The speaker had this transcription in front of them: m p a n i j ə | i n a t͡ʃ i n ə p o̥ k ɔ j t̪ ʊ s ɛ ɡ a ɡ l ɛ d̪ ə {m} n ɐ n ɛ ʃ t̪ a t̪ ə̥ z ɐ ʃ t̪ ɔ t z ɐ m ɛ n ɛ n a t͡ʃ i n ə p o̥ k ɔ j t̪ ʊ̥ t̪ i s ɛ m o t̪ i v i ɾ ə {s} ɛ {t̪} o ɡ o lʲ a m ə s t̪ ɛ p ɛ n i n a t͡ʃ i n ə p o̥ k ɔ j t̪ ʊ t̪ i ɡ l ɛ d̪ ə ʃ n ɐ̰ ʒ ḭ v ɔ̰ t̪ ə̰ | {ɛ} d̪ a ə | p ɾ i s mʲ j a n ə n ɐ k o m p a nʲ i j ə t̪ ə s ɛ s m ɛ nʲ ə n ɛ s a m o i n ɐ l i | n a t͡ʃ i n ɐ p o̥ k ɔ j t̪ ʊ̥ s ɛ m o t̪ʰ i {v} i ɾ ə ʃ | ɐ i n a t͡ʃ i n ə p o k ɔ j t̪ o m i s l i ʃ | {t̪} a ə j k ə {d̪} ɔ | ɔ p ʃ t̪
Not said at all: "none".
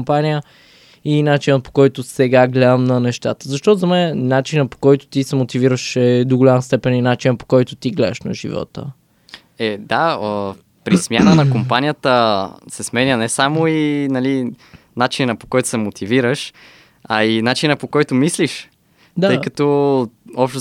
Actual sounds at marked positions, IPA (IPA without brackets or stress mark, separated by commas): m, ʃ, d̪, ɛ, v, d̪, t̪